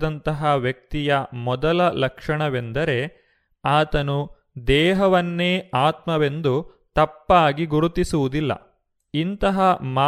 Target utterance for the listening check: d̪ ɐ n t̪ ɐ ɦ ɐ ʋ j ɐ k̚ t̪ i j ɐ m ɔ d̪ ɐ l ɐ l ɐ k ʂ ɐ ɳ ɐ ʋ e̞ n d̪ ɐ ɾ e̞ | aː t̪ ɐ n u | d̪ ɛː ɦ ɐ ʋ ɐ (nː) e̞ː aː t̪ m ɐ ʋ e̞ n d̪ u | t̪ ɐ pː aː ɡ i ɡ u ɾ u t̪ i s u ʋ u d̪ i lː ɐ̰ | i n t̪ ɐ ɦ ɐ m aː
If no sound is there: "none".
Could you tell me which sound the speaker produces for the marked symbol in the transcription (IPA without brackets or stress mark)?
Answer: nː